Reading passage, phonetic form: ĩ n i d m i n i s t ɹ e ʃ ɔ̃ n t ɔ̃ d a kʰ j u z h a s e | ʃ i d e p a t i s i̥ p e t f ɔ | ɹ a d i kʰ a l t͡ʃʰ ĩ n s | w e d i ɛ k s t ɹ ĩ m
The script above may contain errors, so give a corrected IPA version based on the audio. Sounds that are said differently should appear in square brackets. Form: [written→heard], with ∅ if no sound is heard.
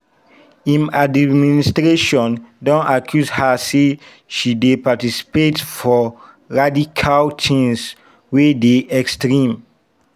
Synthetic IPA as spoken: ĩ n [i→a] d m i n i s t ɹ e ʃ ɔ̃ n [t→d] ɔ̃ [d→n] a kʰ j u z h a s e | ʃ i d e p a t i s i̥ p e t f ɔ | ɹ a d i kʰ a l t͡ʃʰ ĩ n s | w e d [i→e] ɛ k s t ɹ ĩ m